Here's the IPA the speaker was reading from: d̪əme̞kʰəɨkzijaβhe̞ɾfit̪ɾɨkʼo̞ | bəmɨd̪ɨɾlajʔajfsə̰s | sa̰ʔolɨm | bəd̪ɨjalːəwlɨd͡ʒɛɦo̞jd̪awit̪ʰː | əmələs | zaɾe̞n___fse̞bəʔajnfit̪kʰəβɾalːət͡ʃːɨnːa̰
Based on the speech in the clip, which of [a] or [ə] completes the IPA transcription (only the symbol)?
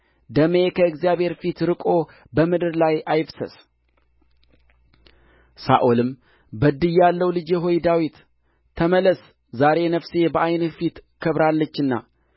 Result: ə